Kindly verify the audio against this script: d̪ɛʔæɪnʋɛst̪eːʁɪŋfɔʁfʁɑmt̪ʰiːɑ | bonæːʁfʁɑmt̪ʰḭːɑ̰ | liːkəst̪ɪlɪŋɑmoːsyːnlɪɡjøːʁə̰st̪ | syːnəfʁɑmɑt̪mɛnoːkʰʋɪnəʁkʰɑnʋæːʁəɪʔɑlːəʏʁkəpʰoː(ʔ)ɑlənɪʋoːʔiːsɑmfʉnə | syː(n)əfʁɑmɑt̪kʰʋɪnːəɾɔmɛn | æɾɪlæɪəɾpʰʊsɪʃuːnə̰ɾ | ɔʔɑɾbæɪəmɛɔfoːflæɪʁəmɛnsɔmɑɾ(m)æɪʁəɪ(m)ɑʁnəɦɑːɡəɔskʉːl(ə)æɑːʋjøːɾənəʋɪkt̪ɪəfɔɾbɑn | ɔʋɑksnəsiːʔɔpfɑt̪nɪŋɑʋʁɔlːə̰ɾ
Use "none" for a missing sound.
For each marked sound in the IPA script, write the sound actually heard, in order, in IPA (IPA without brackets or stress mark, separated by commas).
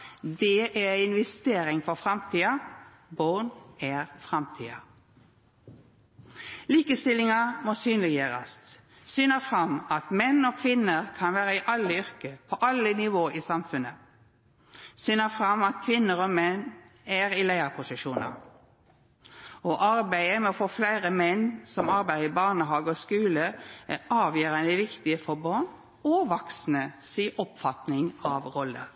ʔ, n, b, b, ə